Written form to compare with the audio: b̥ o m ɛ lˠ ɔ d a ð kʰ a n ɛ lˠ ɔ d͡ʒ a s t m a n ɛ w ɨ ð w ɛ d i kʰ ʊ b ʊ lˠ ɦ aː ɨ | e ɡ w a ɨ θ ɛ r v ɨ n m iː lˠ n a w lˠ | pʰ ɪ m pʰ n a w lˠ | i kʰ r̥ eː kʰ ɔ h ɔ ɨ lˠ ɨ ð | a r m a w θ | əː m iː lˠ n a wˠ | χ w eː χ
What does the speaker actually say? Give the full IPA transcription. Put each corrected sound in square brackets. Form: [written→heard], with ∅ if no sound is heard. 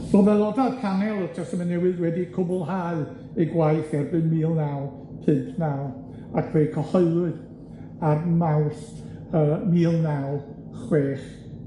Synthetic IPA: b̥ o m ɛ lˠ ɔ d a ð kʰ a n ɛ lˠ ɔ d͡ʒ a s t m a n ɛ w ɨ ð w ɛ d i kʰ ʊ b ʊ lˠ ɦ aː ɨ | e ɡ w a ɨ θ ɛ r [v→b] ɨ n m iː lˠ n a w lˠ | pʰ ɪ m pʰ n a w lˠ | [i→a] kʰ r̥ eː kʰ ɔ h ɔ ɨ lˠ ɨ ð | a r m a w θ | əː m iː lˠ n a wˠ | χ w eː χ